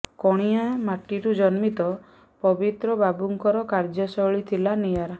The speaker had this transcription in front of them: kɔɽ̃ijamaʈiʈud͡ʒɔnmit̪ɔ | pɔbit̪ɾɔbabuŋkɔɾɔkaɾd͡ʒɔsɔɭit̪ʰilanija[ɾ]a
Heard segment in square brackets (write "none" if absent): ɾ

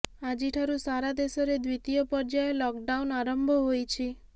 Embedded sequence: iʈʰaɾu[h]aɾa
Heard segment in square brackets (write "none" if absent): s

